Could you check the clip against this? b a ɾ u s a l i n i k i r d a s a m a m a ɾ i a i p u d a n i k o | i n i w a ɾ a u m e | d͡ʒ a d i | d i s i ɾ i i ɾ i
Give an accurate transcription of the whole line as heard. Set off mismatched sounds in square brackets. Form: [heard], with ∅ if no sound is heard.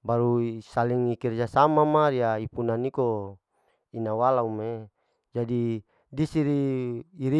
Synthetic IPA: b a ɾ u s a l i [ŋ] i k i r [d͡ʒ] a s a m a m a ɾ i a i p u [n] a n i k o | i n [a] w a [l] a u m e | d͡ʒ a d i | d i s i ɾ i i ɾ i